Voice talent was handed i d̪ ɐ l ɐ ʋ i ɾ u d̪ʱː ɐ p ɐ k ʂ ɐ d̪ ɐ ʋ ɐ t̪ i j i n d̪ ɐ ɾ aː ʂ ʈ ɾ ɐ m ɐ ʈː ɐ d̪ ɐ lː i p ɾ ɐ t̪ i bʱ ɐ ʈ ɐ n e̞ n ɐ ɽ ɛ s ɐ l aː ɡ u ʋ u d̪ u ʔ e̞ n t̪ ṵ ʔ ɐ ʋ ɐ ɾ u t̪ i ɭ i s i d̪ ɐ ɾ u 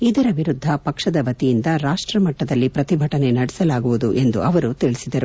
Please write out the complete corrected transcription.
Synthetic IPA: i d̪ ɐ ɾ ɐ ʋ i ɾ u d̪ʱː ɐ p ɐ k ʂ ɐ d̪ ɐ ʋ ɐ t̪ i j i n d̪ ɐ ɾ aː ʂ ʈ ɾ ɐ m ɐ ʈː ɐ d̪ ɐ lː i p ɾ ɐ t̪ i bʱ ɐ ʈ ɐ n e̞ n ɐ ɽ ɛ s ɐ l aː ɡ u ʋ u d̪ u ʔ e̞ n d̪ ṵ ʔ ɐ ʋ ɐ ɾ u t̪ i ɭ i s i d̪ ɐ ɾ u